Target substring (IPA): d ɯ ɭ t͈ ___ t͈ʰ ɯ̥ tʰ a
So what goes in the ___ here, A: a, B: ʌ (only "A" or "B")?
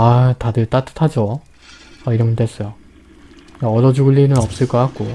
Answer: A